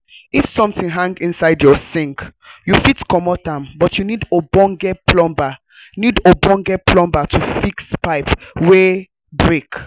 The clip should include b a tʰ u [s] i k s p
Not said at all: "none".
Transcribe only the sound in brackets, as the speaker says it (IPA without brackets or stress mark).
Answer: f